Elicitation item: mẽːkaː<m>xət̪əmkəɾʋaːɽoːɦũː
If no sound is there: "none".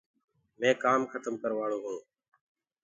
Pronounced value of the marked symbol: m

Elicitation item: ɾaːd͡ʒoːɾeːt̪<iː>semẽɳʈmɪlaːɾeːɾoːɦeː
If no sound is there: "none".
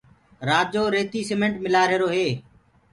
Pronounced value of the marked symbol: iː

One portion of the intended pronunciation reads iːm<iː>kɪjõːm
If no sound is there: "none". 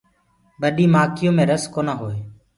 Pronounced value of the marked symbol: aː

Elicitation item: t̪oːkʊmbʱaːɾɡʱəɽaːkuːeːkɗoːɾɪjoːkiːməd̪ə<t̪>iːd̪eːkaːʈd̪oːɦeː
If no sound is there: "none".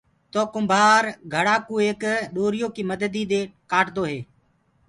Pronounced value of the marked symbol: d̪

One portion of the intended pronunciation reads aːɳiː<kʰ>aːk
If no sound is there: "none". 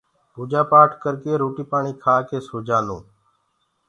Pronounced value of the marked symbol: kʰ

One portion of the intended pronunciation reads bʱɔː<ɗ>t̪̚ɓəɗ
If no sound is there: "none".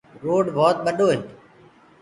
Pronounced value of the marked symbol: none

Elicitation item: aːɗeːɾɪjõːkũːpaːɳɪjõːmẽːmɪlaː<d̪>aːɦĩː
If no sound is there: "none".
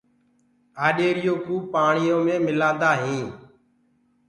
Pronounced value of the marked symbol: d̪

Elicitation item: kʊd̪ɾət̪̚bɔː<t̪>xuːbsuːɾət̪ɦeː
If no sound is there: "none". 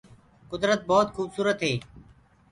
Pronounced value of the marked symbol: t̪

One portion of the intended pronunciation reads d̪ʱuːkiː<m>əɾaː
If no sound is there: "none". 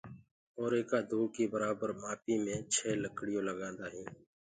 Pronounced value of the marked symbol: b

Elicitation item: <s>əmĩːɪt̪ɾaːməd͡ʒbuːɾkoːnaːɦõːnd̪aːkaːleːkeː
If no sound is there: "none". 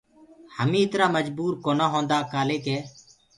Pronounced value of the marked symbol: h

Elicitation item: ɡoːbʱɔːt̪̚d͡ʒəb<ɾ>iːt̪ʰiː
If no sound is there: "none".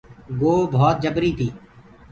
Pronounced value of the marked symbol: ɾ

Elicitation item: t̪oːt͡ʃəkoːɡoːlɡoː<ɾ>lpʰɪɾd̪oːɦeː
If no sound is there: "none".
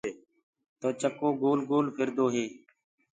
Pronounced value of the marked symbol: none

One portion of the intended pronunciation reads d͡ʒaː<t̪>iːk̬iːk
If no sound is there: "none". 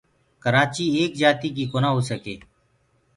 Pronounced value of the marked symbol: t̪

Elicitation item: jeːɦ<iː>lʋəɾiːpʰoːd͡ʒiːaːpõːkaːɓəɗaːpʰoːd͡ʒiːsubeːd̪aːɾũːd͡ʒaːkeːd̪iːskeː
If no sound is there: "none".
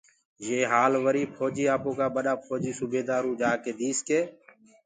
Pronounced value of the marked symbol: aː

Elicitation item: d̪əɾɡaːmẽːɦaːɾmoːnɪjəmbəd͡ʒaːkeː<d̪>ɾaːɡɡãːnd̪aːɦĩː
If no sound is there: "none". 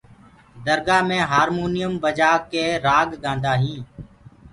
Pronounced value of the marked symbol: none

